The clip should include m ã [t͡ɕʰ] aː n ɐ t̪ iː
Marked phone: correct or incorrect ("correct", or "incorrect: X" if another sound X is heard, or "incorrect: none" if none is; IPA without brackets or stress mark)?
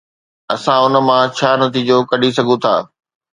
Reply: correct